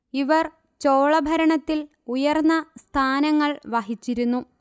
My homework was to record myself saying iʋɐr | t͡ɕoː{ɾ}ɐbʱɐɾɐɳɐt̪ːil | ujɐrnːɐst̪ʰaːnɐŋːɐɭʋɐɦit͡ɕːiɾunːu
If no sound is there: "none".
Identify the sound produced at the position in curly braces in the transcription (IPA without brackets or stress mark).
ɭ